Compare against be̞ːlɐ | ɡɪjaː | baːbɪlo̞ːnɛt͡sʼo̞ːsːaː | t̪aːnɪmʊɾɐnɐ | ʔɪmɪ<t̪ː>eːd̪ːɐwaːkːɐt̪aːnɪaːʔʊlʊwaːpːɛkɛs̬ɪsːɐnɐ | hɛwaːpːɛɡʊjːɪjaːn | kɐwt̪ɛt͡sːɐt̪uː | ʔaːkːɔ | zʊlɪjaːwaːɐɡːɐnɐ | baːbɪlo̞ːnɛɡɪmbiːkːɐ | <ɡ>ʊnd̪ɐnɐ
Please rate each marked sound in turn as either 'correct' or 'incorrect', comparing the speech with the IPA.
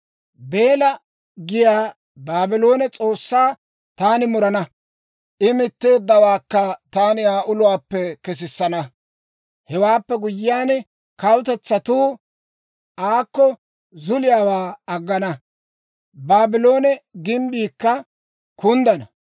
correct, incorrect

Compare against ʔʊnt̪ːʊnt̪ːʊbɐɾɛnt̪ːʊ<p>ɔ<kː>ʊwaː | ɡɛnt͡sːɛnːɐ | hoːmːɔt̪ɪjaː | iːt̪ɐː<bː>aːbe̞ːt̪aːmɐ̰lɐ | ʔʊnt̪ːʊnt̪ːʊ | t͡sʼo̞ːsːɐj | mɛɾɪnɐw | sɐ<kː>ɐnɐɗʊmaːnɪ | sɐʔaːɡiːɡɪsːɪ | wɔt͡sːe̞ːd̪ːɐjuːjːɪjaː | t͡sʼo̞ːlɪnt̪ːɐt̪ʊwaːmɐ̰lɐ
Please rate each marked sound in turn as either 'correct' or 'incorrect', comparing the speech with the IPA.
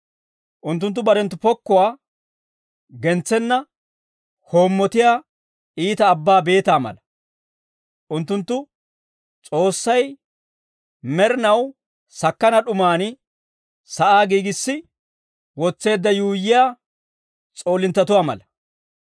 correct, correct, correct, correct

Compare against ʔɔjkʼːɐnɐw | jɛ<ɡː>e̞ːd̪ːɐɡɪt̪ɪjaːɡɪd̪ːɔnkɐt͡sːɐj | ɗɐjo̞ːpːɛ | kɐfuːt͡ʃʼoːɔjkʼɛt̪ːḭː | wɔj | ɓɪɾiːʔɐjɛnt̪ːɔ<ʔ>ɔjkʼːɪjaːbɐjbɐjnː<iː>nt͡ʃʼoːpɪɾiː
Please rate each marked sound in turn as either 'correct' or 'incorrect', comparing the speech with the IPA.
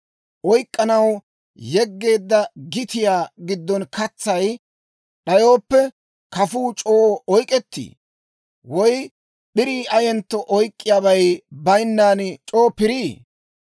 correct, correct, incorrect

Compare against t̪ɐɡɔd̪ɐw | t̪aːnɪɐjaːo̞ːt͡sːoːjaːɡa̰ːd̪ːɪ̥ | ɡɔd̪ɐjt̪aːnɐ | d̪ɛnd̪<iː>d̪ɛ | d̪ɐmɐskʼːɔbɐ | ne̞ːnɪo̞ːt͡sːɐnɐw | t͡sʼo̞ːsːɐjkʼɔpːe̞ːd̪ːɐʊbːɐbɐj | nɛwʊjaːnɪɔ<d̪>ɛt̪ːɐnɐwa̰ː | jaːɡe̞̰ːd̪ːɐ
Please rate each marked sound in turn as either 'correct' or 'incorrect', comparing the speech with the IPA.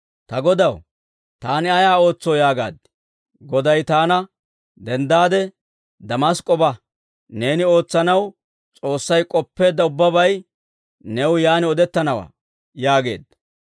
incorrect, correct

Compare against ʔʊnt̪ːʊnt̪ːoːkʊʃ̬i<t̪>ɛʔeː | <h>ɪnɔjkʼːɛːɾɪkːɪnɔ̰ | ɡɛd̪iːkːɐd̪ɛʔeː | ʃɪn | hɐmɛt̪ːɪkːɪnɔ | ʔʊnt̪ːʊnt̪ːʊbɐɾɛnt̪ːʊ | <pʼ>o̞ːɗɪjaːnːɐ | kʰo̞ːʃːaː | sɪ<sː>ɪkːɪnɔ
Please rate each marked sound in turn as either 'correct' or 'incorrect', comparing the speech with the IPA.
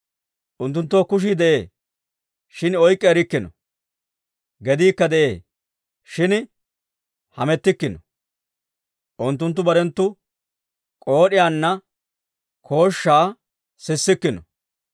incorrect, incorrect, incorrect, correct

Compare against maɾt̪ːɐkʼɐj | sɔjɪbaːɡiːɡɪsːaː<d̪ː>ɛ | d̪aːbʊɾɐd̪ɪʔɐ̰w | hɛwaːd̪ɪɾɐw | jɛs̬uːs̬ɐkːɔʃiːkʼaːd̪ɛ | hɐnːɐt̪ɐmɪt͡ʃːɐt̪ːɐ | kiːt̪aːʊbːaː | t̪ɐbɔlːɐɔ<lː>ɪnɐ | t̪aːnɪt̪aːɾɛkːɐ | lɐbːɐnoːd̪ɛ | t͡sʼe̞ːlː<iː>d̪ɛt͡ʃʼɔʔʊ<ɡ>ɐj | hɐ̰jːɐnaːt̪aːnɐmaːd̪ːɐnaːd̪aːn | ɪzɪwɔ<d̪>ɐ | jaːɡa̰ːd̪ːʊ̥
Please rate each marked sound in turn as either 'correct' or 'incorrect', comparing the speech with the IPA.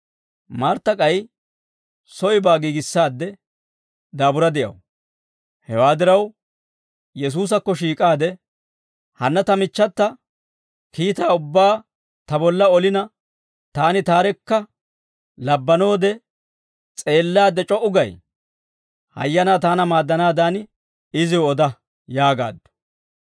correct, incorrect, incorrect, correct, correct

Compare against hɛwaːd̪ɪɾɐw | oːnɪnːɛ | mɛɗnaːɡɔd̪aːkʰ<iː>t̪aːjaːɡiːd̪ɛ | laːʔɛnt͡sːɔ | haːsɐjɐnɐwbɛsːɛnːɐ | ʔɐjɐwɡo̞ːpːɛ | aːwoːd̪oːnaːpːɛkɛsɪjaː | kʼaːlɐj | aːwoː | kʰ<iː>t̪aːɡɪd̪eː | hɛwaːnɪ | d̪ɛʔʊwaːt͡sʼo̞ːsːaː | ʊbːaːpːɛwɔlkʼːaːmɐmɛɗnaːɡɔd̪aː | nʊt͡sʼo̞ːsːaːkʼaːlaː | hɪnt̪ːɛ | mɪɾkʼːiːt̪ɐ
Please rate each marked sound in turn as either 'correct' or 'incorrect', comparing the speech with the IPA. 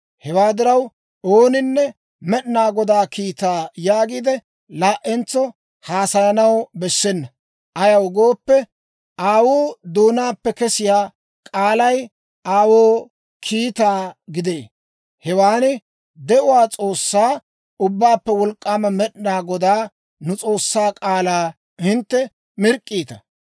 correct, correct

